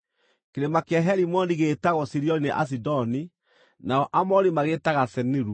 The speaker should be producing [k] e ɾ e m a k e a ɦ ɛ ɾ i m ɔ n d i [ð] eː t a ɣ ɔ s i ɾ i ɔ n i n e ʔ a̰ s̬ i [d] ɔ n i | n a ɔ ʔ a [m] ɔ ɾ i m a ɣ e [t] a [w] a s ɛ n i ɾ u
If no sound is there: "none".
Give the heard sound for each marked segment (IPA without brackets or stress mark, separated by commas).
k, ɣ, d, m, t, ɣ